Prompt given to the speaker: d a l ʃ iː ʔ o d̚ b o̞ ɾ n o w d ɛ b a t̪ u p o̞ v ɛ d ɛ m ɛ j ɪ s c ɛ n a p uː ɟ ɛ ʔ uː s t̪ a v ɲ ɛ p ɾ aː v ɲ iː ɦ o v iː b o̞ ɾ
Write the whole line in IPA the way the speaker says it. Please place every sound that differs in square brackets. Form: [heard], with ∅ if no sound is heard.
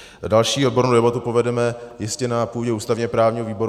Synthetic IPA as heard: d a l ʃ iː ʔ o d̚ b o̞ ɾ n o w d ɛ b a t̪ u p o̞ v ɛ d ɛ m ɛ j ɪ s c ɛ n a p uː ɟ ɛ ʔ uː s t̪ a v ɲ ɛ p ɾ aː v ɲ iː ɦ o v iː b o̞ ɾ